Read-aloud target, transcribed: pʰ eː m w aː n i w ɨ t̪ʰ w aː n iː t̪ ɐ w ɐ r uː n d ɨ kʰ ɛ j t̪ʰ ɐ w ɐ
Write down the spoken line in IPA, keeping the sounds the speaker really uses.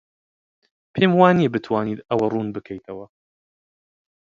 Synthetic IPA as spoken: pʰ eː m w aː n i b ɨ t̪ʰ w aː n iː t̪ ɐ w ɐ r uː n b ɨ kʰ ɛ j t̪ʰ ɐ w ɐ